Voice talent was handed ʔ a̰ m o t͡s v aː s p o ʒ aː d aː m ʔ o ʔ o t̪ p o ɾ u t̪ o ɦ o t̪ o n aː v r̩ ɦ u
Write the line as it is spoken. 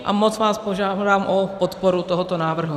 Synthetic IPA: ʔ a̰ m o t͡s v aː s p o ʒ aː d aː m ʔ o p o t̪ p o ɾ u t̪ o ɦ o t̪ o n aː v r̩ ɦ u